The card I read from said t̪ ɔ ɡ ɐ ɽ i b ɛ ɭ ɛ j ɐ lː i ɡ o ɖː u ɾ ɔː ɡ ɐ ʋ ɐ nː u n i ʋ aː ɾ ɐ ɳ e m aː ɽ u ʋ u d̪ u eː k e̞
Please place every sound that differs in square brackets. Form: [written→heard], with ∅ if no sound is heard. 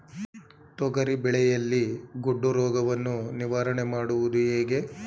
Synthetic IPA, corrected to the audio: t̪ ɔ ɡ ɐ [ɽ→ɾ] i b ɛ ɭ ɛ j ɐ lː i ɡ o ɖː u ɾ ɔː ɡ ɐ ʋ ɐ nː u n i ʋ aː ɾ ɐ ɳ e m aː ɽ u ʋ u d̪ u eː [k→ɡ] e̞